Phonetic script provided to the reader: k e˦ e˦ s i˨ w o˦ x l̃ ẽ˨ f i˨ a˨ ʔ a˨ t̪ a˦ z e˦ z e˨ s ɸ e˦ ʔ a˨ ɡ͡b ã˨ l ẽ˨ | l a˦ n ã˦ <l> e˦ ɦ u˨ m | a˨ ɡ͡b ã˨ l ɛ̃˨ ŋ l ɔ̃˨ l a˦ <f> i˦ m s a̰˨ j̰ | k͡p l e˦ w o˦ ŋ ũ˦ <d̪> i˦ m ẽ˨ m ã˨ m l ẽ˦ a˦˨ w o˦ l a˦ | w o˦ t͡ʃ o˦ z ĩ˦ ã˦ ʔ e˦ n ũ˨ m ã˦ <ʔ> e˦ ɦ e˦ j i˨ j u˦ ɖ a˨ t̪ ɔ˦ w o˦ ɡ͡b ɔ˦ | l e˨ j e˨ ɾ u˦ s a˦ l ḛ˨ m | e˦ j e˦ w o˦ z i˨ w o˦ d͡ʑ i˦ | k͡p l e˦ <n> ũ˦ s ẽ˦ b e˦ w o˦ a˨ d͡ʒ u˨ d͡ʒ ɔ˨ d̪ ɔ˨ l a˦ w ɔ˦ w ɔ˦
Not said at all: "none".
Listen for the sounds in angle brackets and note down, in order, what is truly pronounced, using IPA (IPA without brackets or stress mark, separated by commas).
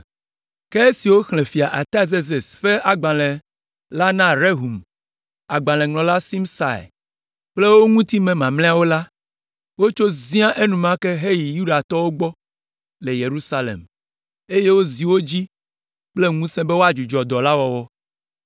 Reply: ɾ, s, t̪, k, ŋ